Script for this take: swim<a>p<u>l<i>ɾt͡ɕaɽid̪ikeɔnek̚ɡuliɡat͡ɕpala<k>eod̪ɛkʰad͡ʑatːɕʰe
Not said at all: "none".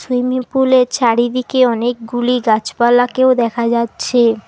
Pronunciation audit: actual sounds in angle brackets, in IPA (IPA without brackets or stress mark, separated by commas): i, u, e, k